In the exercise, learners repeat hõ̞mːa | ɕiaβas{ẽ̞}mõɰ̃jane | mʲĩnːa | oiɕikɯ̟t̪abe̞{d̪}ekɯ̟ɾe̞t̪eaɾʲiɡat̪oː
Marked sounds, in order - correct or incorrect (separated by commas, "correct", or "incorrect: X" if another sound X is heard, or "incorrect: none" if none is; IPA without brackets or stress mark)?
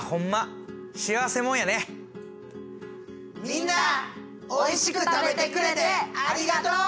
incorrect: e̞, incorrect: t̪